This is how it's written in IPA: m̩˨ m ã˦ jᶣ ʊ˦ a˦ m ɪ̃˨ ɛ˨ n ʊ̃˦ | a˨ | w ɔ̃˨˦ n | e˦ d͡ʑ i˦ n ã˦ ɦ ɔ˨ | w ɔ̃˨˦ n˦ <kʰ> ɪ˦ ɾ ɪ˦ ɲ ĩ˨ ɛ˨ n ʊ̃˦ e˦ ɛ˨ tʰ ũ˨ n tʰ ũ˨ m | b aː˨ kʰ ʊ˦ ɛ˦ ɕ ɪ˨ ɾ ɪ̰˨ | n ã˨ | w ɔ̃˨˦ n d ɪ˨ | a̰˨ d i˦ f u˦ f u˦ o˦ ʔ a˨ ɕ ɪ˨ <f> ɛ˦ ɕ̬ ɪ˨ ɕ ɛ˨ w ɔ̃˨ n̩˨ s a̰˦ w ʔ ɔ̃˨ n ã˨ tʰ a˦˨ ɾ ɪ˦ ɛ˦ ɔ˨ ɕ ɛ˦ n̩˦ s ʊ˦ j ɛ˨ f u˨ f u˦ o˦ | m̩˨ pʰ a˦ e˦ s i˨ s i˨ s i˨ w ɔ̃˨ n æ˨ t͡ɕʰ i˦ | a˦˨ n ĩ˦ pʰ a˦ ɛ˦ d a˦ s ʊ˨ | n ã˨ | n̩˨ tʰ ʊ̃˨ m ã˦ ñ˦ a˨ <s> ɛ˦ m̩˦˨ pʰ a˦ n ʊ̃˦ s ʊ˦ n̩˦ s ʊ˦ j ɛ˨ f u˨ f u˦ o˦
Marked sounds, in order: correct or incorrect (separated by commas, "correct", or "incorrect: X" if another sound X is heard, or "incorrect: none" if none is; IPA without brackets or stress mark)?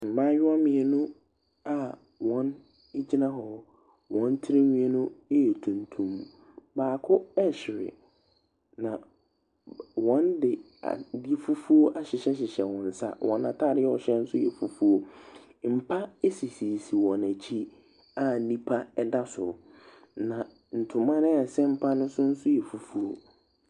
incorrect: tʰ, incorrect: ɕ, correct